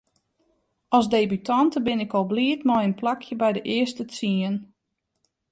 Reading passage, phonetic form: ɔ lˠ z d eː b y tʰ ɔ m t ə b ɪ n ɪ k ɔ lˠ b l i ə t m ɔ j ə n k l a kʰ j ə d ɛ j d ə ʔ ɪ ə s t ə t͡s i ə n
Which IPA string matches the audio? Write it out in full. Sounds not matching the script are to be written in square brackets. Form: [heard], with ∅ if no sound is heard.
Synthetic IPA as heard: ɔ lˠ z d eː b y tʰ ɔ [n] t ə b ɪ n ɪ k ɔ lˠ b l i ə t m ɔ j ə n [p] l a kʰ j ə [b] ɛ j d ə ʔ ɪ ə s t ə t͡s i ə n